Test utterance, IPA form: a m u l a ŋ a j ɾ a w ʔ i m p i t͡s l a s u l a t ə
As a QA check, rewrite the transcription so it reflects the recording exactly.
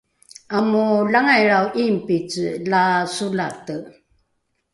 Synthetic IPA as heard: a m u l a ŋ a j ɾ a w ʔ i m p i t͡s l a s u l a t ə